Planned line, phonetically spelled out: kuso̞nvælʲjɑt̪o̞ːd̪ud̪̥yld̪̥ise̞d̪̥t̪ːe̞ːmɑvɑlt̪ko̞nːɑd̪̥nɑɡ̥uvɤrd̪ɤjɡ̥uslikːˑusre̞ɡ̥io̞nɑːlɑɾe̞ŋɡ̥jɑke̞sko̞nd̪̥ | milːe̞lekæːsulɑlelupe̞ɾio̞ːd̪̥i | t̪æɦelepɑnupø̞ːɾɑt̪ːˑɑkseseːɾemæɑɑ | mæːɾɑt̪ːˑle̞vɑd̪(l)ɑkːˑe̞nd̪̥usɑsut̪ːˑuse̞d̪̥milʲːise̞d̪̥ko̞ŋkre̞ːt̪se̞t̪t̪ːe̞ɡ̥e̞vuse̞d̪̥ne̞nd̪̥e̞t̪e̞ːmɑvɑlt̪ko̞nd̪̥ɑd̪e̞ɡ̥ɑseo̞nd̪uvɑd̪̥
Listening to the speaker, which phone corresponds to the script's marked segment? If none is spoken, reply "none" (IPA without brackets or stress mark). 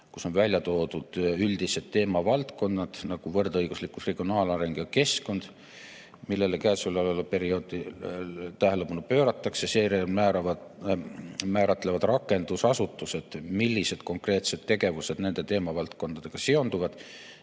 r